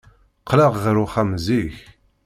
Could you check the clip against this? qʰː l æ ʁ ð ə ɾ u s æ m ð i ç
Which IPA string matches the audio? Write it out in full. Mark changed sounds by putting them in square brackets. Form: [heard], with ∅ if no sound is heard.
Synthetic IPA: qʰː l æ ʁ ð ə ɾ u [χ] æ m [z] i ç